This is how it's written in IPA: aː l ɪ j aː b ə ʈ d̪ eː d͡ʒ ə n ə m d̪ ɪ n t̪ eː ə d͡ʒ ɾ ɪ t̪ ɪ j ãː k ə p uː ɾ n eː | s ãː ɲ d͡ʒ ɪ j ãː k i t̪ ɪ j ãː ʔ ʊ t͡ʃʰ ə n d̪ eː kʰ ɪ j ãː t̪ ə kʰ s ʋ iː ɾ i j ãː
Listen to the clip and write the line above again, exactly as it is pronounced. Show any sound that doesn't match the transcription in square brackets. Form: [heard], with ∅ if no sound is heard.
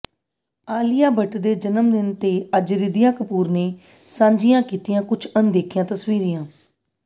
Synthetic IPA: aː l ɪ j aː b ə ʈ d̪ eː d͡ʒ ə n ə m d̪ ɪ n t̪ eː ə d͡ʒ ɾ ɪ [d̪] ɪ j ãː k ə p uː ɾ n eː | s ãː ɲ d͡ʒ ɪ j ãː k [iː] t̪ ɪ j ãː [k] ʊ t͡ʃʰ ə n d̪ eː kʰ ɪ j ãː t̪ ə [∅] s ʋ iː ɾ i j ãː